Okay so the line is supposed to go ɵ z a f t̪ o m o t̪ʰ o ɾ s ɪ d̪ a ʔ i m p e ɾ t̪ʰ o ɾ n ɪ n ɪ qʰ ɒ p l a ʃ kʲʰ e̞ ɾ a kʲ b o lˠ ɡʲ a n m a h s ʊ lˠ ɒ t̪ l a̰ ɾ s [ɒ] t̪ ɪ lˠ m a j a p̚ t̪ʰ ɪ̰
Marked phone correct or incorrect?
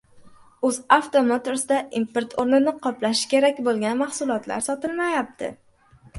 correct